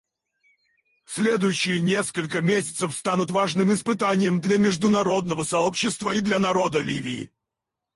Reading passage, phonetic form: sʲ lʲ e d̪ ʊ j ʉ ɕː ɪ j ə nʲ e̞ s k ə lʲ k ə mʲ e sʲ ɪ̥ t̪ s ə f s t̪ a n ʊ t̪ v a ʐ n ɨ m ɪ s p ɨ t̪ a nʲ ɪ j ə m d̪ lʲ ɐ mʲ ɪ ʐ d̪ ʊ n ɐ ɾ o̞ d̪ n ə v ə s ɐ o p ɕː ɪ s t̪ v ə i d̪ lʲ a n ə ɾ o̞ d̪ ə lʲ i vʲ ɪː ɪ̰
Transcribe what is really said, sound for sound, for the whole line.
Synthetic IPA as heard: sʲ lʲ e d̪ ʊ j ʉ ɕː ɪ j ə nʲ e̞ s k ə lʲ k ə mʲ e sʲ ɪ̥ t̪ s ə f s t̪ a n ʊ t̪ v a ʐ n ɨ m ɪ s p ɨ t̪ a nʲ ɪ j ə m d̪ lʲ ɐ mʲ ɪ ʐ d̪ ʊ n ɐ ɾ o̞ d̪ n ə v ə s ɐ o p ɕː ɪ s t̪ v ə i d̪ lʲ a n ɐ ɾ o̞ d̪ ə lʲ i vʲ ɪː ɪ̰